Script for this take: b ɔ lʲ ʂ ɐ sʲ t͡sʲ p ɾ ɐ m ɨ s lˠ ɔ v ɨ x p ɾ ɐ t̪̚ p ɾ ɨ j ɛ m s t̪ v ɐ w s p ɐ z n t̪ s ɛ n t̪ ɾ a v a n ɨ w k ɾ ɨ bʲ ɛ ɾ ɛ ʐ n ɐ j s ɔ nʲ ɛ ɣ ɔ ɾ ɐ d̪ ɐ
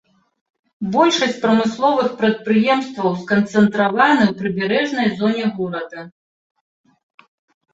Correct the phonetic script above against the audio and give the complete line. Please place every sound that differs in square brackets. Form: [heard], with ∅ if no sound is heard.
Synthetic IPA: b ɔ lʲ ʂ ɐ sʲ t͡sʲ p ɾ ɐ m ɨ s lˠ ɔ v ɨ x p ɾ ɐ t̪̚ p ɾ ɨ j ɛ m s t̪ v ɐ w s [k] ɐ [∅] n t̪ s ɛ n t̪ ɾ a v a n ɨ w [p] ɾ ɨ bʲ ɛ ɾ ɛ ʐ n ɐ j [z] ɔ nʲ ɛ ɣ ɔ ɾ ɐ d̪ ɐ